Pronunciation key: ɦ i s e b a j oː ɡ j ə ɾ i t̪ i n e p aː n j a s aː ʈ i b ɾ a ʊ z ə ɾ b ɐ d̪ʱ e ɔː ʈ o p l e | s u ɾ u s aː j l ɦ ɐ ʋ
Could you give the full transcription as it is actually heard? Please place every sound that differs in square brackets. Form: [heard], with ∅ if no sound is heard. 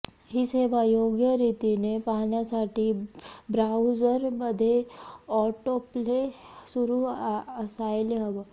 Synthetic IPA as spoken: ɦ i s e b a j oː ɡ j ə ɾ i t̪ i n e p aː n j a s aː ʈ i b ɾ a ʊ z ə ɾ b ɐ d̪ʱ e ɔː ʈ o p l e | s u ɾ u s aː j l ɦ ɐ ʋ